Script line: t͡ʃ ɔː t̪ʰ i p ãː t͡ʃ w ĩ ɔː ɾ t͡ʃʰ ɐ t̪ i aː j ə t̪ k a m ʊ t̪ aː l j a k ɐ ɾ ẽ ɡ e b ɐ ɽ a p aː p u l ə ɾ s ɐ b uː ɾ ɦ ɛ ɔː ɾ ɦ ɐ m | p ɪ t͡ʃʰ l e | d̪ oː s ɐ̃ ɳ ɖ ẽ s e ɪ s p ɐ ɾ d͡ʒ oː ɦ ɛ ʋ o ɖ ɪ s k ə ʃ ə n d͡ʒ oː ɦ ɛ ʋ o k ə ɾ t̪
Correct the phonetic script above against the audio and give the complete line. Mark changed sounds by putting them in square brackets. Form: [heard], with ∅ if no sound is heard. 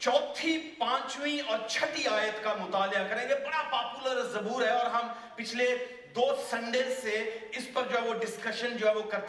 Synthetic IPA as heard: t͡ʃ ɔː t̪ʰ i p ãː t͡ʃ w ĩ ɔː ɾ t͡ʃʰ ɐ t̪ i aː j ə t̪ k a m ʊ t̪ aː l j a k ɐ ɾ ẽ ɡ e b ɐ ɽ a p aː p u l ə ɾ [z] ɐ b uː ɾ ɦ ɛ ɔː ɾ ɦ ɐ m | p ɪ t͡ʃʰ l e | d̪ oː s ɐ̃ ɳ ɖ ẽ s e ɪ s p ɐ ɾ d͡ʒ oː ɦ ɛ ʋ o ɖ ɪ s k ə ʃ ə n d͡ʒ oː ɦ ɛ ʋ o k [ɐ] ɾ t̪